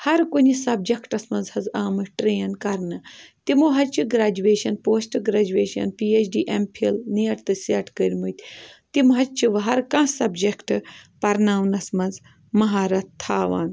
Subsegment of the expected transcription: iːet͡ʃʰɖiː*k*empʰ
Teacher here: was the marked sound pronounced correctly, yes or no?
no